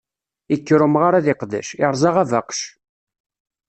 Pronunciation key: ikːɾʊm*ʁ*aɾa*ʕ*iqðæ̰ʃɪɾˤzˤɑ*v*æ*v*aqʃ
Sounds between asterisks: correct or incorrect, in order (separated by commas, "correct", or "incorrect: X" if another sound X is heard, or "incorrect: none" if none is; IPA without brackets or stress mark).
correct, incorrect: ð, incorrect: ʁ, correct